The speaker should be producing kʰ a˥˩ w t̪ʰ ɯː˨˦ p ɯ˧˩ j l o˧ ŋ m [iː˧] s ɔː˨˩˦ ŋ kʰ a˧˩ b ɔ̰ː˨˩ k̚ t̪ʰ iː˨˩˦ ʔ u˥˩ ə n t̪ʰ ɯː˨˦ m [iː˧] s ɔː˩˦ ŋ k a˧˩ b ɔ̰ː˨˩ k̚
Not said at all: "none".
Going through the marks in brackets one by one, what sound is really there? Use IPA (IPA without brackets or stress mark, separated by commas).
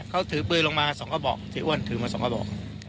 aː˧, aː˧